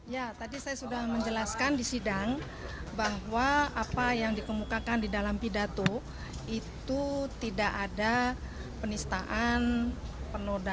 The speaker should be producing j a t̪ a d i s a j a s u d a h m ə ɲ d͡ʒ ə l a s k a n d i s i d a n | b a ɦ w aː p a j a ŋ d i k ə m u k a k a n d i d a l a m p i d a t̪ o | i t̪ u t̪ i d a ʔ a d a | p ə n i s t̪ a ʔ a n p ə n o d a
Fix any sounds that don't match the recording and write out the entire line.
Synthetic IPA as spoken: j a t̪ a d i s a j a s u d a h m ə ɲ d͡ʒ ə l a s k a n d i s i d a ŋ | b a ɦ w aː p a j a ŋ d i k ə m u k a k a n d i d a l a m p i d a t̪ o | i t̪ u t̪ i d a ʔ a d a | p ə n i s t̪ a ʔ a n p ə n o d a